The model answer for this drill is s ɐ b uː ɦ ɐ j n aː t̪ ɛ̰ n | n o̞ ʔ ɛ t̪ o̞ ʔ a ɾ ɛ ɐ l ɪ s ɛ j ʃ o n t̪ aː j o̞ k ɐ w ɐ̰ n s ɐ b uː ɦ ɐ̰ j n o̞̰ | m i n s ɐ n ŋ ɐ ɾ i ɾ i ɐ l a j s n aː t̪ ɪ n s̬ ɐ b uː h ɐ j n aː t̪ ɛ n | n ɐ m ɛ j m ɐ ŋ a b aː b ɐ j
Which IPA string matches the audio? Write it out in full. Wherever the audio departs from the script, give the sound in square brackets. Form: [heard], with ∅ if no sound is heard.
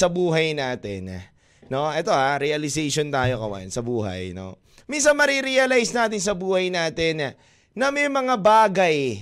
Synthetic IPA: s ɐ b uː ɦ ɐ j n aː t̪ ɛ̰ n | n o̞ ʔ ɛ t̪ o̞ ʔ a ɾ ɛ ɐ l ɪ s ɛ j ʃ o n t̪ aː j o̞ k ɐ w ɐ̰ n s ɐ b uː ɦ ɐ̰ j n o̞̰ | m i n s ɐ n [m] ɐ ɾ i ɾ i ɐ l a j s n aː t̪ ɪ n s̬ ɐ b uː h ɐ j n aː t̪ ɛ n | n ɐ m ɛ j m ɐ ŋ a b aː [ɡ] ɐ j